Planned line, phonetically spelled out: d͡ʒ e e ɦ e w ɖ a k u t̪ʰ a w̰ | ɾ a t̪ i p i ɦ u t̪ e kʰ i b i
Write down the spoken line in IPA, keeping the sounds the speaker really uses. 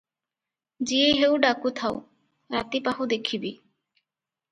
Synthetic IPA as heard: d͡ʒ i e ɦ e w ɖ a k u t̪ʰ a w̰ | ɾ a t̪ i p a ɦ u d̪ e kʰ i b i